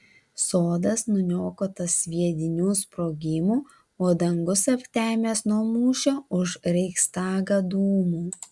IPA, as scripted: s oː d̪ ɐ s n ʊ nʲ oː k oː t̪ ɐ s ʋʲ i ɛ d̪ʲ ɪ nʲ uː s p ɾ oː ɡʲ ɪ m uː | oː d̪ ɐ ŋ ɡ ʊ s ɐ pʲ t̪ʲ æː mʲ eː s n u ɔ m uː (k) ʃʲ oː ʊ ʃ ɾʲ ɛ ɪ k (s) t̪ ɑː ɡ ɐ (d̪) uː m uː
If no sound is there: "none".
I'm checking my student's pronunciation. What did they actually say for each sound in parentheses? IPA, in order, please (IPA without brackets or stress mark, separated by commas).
none, s, d̪